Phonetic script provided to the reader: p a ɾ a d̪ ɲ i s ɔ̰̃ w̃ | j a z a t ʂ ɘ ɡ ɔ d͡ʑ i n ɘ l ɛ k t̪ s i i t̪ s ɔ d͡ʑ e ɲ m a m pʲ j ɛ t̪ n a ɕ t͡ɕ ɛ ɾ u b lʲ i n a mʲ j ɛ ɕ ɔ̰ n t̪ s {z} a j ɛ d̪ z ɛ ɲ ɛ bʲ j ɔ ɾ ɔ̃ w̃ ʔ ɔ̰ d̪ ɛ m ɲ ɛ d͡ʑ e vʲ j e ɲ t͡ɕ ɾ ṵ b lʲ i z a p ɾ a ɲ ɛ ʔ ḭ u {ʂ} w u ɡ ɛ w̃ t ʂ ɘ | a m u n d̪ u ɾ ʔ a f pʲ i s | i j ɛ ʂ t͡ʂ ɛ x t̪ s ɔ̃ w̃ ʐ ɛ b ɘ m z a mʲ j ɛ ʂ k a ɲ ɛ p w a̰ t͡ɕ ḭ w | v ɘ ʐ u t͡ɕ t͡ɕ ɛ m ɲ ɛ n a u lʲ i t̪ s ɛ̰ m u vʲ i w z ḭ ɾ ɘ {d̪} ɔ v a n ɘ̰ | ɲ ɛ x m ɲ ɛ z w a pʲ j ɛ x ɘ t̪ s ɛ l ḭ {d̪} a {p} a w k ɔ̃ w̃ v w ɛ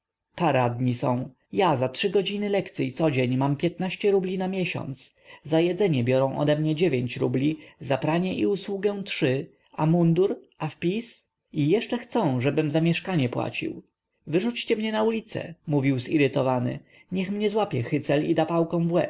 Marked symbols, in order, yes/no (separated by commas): yes, no, no, yes, yes